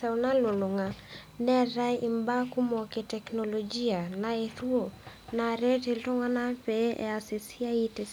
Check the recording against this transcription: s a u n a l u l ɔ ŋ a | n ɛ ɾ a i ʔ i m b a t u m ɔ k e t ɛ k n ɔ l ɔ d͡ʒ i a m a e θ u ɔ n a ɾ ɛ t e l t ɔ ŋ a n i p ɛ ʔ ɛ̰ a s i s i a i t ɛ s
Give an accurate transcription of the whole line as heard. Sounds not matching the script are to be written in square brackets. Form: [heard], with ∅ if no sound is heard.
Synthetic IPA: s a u n a l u l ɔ ŋ a | n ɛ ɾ a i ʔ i m b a [k] u m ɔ k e t ɛ k n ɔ l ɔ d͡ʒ i a [n] a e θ u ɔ n a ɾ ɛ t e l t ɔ ŋ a n [a] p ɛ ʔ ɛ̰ a s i s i a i t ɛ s